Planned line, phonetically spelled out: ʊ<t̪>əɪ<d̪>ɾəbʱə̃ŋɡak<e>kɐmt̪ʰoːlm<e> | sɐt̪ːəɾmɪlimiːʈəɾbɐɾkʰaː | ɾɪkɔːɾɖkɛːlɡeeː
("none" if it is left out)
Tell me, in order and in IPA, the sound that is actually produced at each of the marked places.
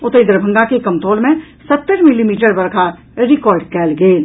t̪, d̪, e, ẽ

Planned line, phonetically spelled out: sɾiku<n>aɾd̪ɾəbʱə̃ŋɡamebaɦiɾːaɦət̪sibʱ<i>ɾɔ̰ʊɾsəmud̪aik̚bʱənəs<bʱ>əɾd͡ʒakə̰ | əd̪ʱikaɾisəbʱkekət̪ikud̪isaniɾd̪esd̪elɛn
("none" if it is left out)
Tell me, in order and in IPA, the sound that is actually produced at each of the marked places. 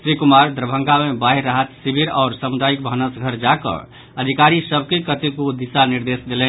m, i, ɡʱ

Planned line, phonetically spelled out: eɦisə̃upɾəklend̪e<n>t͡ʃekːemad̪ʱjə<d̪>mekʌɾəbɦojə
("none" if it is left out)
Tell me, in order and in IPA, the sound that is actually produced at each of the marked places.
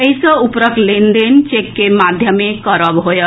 n, none

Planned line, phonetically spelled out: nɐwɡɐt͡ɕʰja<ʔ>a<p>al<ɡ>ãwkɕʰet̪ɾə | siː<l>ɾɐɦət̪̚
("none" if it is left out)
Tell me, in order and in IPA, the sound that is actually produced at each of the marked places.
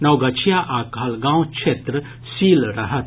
ʔ, k, ɡ, l

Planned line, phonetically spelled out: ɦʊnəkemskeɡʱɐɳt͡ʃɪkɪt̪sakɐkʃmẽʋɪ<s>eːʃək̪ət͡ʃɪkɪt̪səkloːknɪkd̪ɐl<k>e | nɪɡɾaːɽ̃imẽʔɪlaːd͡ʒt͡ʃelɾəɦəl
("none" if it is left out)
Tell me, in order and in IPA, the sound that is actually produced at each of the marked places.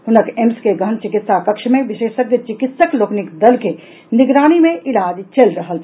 ʃ, k

